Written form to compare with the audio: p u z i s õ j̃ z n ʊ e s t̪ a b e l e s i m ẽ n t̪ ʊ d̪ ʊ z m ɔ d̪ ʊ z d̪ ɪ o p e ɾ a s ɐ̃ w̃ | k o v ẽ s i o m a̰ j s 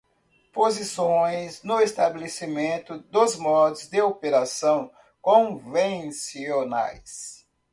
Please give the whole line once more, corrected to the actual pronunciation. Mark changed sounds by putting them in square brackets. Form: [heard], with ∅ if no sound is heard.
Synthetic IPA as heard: p [o] z i s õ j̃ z n ʊ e s t̪ a b e l e s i m ẽ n t̪ ʊ d̪ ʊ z m ɔ d̪ ʊ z d̪ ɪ o p e ɾ a s ɐ̃ w̃ | k [õ] v ẽ s i o [n] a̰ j s